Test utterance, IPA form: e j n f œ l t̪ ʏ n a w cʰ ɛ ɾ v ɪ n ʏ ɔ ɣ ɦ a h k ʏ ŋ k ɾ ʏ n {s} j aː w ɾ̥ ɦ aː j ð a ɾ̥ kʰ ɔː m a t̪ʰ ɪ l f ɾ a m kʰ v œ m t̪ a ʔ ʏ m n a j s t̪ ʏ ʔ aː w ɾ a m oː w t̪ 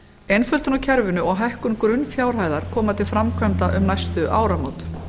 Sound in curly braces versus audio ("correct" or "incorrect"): incorrect